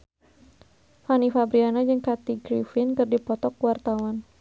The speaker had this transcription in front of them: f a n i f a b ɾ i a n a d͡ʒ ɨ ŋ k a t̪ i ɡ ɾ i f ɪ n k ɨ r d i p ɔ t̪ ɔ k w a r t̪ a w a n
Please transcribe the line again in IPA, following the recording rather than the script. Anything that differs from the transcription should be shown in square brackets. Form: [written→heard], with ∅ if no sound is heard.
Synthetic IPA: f a n i f a b ɾ i a n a d͡ʒ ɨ ŋ k a t̪ i ɡ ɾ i f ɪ n k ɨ r d i p ɔ t̪ ɔ k w a r t̪ a w a n